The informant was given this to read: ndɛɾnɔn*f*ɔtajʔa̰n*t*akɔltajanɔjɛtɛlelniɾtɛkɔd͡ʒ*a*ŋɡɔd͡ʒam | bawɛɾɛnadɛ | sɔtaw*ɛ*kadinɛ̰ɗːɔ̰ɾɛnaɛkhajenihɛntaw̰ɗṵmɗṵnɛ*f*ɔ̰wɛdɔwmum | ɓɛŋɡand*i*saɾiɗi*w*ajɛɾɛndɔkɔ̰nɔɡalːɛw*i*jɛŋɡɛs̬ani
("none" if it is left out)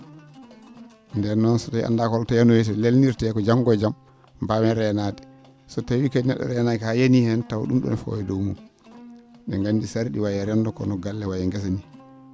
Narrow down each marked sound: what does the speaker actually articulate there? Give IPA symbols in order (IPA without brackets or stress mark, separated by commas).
s, d, a, i, f, i, w, a